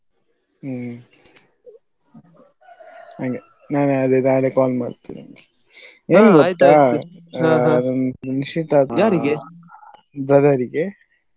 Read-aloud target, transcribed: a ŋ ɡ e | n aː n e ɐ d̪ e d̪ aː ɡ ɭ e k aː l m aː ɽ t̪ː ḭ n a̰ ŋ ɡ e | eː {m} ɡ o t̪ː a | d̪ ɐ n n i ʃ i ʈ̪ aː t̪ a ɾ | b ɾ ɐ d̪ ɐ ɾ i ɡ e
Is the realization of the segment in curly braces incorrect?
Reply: yes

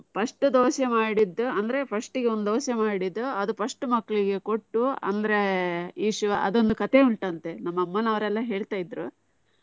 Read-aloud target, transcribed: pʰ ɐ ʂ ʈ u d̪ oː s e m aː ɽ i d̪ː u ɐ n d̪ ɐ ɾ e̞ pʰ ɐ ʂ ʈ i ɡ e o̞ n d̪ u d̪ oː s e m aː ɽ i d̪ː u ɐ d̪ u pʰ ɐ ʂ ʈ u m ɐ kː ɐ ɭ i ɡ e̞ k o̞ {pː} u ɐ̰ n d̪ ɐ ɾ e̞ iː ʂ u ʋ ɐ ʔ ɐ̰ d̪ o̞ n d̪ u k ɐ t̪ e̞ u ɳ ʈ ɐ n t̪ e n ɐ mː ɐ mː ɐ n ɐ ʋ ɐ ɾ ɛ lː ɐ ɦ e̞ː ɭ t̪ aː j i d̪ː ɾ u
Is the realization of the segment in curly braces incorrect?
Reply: yes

